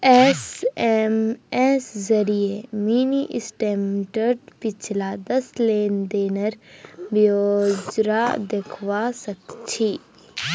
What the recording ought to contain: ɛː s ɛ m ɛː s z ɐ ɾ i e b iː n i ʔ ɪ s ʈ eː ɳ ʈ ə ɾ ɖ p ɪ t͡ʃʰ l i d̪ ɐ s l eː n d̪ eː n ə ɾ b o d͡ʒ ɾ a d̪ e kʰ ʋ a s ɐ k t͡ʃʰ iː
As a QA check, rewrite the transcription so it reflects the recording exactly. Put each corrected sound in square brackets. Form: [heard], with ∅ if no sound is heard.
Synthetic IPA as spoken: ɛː s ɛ m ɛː s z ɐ ɾ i e [m] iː n i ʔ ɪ s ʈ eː [m] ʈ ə ɾ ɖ p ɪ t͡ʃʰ l [a] d̪ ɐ s l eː n d̪ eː n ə ɾ b o d͡ʒ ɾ a d̪ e kʰ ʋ a s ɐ k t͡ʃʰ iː